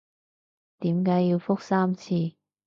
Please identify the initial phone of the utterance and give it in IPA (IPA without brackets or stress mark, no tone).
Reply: t̪